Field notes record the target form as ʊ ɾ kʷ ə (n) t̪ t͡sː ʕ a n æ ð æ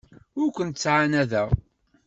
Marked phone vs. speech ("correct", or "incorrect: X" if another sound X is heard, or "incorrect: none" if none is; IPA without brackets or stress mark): correct